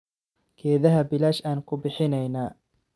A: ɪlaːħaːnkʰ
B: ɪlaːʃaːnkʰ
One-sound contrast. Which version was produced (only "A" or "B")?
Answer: B